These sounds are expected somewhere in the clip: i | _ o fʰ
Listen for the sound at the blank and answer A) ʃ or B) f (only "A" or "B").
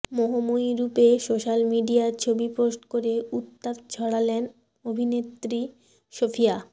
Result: A